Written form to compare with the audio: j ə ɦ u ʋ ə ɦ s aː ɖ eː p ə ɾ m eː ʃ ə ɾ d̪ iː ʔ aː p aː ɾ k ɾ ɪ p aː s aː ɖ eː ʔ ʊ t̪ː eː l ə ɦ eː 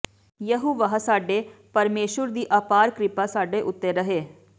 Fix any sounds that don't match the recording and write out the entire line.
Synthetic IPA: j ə ɦ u ʋ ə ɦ s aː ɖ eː p ə ɾ m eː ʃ ə ɾ d̪ iː ʔ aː p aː ɾ k ɾ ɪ p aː s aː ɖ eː ʔ ʊ t̪ː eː ɾ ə ɦ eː